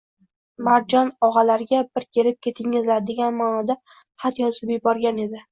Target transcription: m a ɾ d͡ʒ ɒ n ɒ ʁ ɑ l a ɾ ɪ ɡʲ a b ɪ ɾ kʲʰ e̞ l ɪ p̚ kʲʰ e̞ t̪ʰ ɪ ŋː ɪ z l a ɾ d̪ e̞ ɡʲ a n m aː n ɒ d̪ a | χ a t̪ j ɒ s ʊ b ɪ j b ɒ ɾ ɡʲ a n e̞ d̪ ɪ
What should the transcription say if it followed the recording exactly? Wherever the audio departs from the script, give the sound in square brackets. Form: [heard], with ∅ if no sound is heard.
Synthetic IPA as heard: m a ɾ d͡ʒ ɒ n ɒ ʁ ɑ l a ɾ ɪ ɡʲ a b ɪ ɾ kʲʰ e̞ [ɾ] ɪ p̚ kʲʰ e̞ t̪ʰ ɪ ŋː ɪ z l a ɾ d̪ e̞ ɡʲ a n m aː n ɒ d̪ a | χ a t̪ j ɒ s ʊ b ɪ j b ɒ ɾ ɡʲ a n e̞ d̪ ɪ